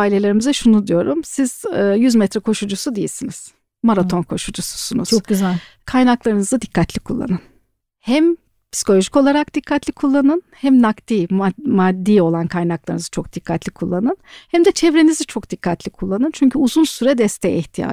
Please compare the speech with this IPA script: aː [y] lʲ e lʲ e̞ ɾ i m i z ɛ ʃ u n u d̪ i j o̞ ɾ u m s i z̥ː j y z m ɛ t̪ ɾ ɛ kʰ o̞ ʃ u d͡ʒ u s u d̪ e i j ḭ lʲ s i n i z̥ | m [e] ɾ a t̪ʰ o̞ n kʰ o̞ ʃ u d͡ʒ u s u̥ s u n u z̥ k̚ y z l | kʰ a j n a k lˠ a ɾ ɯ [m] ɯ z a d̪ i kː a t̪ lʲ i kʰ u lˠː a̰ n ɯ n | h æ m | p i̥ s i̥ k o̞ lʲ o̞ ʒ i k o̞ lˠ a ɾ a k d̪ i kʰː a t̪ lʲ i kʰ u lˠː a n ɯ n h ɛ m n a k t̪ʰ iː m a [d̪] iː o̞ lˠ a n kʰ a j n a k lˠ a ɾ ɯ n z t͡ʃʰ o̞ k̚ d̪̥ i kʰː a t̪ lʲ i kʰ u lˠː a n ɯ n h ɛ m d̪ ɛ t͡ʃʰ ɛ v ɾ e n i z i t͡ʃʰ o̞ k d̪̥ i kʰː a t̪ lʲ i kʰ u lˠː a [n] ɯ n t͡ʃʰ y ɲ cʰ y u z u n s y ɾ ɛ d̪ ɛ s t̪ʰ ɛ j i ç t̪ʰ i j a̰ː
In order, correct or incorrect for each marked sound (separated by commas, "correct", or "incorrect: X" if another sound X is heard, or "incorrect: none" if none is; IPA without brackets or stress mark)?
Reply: incorrect: i, incorrect: a, incorrect: n, incorrect: d̪ː, correct